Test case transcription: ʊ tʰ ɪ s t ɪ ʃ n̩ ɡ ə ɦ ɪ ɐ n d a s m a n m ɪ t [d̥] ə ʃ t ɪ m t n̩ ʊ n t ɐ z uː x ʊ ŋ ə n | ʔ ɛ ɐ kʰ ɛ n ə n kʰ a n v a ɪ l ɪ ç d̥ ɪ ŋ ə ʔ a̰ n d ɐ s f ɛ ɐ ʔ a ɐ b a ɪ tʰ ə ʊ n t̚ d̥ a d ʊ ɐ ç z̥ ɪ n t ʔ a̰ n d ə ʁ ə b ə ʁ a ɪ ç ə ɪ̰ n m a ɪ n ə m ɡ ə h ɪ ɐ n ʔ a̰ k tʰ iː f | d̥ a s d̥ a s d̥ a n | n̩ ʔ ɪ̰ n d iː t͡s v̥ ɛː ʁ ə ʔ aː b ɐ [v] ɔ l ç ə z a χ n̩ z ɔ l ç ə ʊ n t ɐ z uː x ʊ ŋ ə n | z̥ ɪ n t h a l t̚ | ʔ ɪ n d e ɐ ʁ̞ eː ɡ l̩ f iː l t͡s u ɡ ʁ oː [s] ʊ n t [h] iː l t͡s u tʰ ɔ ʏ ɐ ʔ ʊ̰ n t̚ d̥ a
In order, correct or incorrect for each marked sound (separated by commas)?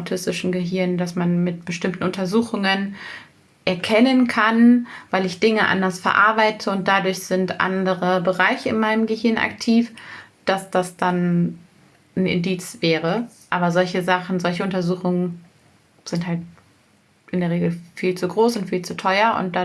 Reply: incorrect, incorrect, correct, incorrect